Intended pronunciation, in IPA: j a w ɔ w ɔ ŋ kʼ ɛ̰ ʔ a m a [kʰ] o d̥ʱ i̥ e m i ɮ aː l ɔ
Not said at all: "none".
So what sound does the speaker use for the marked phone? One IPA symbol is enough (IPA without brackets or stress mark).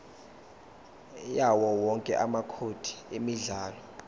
kʰ